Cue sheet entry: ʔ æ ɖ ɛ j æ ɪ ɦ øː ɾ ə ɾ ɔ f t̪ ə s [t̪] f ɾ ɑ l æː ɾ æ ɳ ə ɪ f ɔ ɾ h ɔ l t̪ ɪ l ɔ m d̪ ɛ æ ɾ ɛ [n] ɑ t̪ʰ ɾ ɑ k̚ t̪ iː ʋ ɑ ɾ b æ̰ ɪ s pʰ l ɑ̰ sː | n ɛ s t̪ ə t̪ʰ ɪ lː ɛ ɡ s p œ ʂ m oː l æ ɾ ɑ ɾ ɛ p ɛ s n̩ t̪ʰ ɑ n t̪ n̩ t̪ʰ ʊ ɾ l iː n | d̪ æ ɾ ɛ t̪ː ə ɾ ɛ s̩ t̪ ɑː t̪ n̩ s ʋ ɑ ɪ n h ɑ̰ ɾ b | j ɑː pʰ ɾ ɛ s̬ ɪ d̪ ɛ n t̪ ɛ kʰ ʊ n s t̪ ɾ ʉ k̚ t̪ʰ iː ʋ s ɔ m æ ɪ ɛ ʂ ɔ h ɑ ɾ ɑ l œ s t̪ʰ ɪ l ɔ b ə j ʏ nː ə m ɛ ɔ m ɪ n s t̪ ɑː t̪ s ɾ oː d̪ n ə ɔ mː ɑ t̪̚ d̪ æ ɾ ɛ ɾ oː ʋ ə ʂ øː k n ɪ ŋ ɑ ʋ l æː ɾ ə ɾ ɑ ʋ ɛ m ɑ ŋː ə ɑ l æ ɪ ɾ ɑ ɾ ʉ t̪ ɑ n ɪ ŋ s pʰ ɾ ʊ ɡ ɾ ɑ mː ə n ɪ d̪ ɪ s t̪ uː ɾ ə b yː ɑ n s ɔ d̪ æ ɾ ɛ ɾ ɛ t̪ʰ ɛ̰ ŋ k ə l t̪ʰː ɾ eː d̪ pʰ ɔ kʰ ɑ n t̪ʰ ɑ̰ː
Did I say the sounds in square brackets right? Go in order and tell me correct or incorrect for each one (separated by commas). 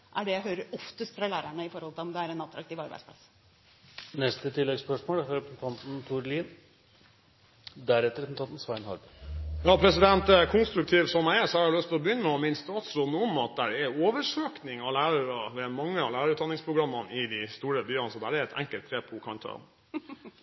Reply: correct, correct